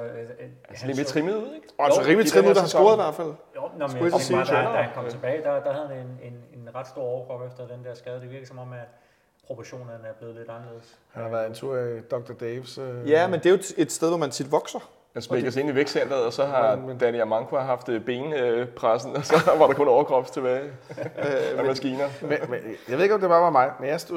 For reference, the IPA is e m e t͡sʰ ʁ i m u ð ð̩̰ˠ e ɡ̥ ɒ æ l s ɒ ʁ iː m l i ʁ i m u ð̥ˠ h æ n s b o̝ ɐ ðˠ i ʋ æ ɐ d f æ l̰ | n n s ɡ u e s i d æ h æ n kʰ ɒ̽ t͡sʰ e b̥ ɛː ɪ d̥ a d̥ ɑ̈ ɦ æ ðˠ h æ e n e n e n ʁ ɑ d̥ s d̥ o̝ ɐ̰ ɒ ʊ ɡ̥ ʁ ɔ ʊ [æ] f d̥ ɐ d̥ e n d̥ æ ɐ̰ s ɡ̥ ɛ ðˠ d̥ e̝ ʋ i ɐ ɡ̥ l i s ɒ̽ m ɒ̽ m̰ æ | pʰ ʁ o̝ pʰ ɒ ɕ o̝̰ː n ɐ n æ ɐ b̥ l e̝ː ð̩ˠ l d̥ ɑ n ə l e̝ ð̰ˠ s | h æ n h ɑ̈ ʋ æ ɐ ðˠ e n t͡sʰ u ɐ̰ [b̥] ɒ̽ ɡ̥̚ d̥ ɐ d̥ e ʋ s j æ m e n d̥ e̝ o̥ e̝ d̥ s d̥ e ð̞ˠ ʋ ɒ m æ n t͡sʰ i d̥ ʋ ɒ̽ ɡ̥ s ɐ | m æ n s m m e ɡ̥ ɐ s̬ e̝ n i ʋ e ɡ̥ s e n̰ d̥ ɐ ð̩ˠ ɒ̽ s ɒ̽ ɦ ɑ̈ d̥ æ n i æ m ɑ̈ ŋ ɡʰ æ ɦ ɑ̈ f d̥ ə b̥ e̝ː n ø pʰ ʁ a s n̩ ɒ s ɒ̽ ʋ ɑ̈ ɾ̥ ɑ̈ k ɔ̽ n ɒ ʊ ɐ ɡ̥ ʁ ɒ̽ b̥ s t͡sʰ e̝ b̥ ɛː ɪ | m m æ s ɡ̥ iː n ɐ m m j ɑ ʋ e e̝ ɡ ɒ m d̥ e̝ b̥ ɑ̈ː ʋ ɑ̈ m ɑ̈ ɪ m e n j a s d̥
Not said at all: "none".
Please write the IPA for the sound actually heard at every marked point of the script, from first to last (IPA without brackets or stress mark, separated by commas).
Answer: e, d̥